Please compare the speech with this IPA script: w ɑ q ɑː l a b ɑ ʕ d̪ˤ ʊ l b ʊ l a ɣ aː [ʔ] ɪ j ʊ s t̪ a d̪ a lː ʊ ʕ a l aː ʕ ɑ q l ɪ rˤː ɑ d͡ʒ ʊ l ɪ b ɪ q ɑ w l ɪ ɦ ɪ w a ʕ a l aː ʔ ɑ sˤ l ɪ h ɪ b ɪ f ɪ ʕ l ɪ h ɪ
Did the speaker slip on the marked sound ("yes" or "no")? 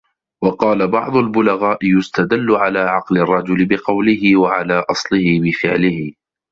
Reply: no